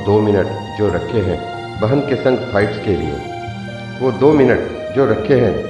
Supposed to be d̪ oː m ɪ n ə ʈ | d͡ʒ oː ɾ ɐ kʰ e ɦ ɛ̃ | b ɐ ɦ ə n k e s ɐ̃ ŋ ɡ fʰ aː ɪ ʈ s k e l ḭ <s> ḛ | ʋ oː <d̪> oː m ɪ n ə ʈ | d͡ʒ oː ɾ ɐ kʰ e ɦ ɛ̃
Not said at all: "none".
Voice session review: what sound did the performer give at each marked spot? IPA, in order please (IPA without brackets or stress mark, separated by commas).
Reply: none, d̪